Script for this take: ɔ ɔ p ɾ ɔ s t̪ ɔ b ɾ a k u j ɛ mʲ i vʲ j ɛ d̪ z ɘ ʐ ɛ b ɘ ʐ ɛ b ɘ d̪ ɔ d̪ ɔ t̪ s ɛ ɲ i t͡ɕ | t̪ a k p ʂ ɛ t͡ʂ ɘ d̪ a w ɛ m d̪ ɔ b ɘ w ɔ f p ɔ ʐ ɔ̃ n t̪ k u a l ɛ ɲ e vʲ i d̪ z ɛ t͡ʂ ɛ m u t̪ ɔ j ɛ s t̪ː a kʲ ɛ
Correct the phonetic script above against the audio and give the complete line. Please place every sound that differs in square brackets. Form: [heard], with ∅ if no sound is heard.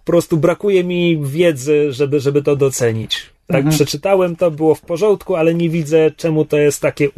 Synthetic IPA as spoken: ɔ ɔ p ɾ ɔ s t̪ [u] b ɾ a k u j ɛ mʲ i vʲ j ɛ d̪ z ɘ ʐ ɛ b ɘ ʐ ɛ b ɘ [t̪] ɔ d̪ ɔ t̪ s ɛ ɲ i t͡ɕ | t̪ a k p ʂ ɛ t͡ʂ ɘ [t̪] a w ɛ m [t̪] ɔ b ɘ w ɔ f p ɔ ʐ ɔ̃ n t̪ k u a l ɛ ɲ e vʲ i d̪ z ɛ t͡ʂ ɛ m u t̪ ɔ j ɛ s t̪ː a kʲ ɛ